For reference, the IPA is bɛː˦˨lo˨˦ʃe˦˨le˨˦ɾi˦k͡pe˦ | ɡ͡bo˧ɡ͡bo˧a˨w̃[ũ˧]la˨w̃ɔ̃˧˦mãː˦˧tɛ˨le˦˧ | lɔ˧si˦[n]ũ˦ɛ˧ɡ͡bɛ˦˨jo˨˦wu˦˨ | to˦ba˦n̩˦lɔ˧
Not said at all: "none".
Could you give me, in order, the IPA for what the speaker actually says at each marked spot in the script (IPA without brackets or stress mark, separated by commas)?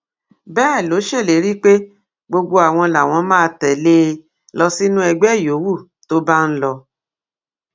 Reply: ɔ̃˧, n